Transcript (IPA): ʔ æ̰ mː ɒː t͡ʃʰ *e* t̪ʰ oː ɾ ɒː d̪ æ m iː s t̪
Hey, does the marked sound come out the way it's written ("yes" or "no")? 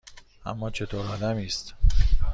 yes